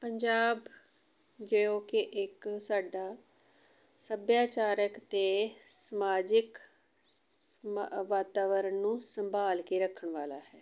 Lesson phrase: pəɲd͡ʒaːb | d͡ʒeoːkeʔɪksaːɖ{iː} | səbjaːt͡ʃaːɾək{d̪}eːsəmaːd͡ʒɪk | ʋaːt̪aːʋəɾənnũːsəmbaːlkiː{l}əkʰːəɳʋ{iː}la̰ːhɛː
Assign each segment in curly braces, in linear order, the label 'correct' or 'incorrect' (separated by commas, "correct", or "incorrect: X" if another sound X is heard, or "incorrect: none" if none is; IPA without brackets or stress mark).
incorrect: aː, incorrect: t̪, incorrect: ɾ, incorrect: aː